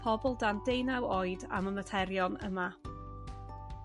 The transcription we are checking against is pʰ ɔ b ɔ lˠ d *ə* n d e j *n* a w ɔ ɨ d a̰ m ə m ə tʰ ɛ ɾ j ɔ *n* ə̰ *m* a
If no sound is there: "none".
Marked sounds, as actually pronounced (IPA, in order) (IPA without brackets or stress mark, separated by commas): a, n, n, m